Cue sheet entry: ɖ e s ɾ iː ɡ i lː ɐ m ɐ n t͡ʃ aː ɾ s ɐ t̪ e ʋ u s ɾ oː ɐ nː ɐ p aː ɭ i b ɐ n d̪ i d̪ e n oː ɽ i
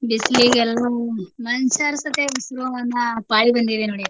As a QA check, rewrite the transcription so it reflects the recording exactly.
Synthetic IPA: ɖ i s l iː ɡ ɛ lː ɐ m ɐ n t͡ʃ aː ɾ s ɐ t̪ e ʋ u s ɾ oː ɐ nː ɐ p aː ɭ i b ɐ n d̪ i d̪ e n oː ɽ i